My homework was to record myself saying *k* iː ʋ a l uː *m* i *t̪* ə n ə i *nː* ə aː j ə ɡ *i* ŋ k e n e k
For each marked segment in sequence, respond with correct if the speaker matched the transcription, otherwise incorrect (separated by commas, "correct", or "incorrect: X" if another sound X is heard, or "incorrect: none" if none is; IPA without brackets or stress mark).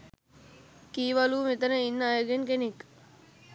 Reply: correct, correct, correct, correct, incorrect: e